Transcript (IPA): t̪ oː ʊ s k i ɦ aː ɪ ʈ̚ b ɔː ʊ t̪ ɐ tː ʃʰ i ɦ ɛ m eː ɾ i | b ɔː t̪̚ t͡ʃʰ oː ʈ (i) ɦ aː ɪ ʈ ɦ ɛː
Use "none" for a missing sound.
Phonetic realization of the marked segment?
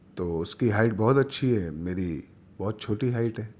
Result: i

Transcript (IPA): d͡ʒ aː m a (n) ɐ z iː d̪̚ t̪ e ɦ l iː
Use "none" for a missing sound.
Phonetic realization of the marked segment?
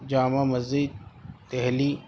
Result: m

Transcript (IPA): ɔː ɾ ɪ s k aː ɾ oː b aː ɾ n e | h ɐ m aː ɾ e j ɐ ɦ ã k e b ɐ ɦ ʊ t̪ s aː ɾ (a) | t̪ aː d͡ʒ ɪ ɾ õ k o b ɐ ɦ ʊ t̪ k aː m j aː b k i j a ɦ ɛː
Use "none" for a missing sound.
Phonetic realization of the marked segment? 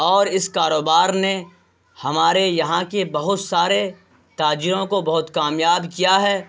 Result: e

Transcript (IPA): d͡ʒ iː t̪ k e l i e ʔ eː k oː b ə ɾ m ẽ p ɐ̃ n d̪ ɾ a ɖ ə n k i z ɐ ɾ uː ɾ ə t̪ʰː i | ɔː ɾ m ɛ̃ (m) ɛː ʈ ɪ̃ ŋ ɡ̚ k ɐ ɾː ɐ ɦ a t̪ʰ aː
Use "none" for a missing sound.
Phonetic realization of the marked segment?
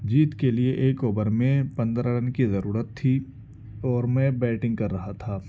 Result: b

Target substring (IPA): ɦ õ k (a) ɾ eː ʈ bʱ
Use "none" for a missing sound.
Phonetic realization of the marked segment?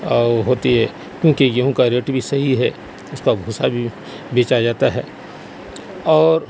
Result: a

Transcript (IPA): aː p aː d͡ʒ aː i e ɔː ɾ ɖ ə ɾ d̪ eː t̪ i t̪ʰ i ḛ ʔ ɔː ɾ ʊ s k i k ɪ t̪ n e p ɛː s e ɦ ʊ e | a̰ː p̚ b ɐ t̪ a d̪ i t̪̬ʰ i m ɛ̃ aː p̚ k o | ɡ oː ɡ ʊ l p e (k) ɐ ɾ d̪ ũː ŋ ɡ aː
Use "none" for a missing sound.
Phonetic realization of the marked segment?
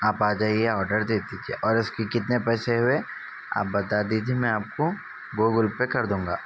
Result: k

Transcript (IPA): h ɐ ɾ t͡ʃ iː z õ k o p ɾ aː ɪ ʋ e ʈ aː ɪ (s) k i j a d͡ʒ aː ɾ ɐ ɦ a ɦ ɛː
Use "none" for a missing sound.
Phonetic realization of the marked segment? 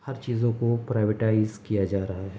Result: z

